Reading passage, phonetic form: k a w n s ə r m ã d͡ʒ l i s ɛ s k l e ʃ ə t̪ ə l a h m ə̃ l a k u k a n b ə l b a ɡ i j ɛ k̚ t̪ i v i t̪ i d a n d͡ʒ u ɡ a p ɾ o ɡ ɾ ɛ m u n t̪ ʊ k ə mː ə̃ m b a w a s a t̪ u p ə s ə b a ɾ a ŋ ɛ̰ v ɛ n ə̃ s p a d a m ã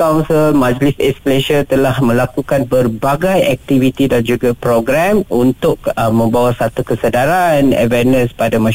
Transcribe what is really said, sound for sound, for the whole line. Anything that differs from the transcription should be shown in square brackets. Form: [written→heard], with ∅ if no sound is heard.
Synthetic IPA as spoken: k a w n s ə [r→l] m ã d͡ʒ l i s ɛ s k l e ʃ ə t̪ ə l a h m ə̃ l a k u k a n b ə [l→r] b a ɡ [i→a] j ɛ k̚ t̪ i v i t̪ i d a n d͡ʒ u ɡ a p ɾ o ɡ ɾ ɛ m u n t̪ ʊ k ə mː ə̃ m b a w a s a t̪ u [p→k] ə s ə [b→d] a ɾ a [ŋ→n] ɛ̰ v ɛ n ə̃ s p a d a m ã